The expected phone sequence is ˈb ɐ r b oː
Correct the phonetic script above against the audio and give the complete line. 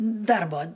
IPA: ˈd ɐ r b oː